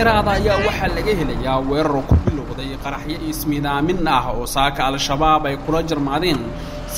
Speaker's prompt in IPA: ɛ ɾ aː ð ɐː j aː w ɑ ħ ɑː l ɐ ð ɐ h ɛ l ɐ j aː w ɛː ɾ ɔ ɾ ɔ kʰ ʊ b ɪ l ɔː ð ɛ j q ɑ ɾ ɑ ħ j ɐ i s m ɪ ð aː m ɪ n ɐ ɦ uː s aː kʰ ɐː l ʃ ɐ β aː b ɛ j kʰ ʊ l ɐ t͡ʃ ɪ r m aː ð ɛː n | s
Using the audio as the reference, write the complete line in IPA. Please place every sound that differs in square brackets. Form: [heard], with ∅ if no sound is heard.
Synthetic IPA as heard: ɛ ɾ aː ð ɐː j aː w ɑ ħ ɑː l ɐ [ɣ] ɐ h ɛ l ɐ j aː w ɛː ɾ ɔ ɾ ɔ kʰ ʊ b ɪ l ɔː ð ɛ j q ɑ ɾ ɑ ħ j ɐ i s m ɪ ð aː m ɪ n ɐ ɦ [ɔː] s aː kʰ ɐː l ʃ ɐ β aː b ɛ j kʰ ʊ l ɐ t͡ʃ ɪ r m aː ð ɛː n | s